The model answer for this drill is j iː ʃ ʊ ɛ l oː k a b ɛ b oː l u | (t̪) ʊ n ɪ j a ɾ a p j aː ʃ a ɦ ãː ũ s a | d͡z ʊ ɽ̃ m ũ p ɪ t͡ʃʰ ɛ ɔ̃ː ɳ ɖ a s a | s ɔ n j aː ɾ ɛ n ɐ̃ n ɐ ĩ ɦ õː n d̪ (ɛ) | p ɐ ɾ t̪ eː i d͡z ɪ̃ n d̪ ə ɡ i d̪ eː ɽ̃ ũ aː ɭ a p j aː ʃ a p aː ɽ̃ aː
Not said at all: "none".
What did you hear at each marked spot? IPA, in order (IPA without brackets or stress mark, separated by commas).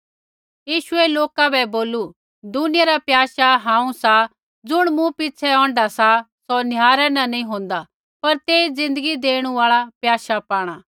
d̪, a